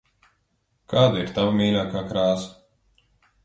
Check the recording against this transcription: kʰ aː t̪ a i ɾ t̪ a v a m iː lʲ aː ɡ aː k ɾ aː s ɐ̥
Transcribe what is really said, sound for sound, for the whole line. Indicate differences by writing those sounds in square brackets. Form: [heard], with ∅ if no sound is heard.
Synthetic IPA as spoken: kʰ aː [d̪] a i ɾ t̪ a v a m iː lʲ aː [k] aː k ɾ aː s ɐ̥